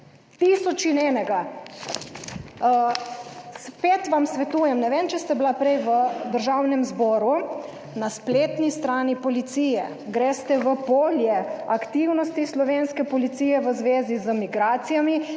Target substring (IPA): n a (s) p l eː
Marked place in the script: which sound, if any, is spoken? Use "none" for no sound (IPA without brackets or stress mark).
s